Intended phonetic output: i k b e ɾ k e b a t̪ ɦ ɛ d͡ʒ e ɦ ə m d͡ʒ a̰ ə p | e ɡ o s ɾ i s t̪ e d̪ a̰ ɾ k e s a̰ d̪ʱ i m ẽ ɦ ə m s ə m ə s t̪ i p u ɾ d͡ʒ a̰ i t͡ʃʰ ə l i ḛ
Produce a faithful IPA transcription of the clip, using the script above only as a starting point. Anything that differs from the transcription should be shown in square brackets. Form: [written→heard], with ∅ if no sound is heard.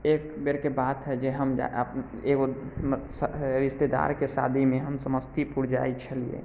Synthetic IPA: [i→e] k b e ɾ k e b a t̪ ɦ ɛ d͡ʒ e ɦ ə m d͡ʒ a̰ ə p | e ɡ o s ɾ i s t̪ e d̪ a̰ ɾ k e s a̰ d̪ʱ i m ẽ ɦ ə m s ə m ə s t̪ i p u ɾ d͡ʒ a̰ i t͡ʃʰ ə l i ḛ